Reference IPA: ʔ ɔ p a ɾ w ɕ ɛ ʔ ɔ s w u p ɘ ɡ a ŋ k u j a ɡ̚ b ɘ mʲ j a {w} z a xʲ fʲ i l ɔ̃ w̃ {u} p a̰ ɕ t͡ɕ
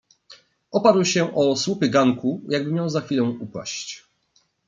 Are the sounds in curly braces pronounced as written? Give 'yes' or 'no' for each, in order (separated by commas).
yes, yes